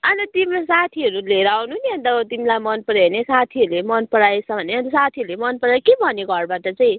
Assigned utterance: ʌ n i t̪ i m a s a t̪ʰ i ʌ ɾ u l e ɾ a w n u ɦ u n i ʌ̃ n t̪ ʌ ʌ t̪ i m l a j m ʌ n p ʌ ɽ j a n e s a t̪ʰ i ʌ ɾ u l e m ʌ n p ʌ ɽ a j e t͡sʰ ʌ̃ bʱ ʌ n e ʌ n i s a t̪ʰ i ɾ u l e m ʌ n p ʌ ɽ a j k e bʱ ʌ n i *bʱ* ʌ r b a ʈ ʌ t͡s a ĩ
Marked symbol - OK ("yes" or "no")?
no